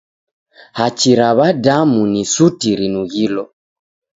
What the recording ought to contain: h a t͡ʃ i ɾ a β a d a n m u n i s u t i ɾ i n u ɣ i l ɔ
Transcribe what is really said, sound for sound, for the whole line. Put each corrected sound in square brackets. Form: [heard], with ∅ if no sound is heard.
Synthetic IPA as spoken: h a t͡ʃ i ɾ a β a d a [∅] m u n i s u t i ɾ i n u ɣ i l ɔ